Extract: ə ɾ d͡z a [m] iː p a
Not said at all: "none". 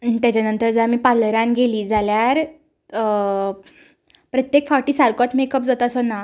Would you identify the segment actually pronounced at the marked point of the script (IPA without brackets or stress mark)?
m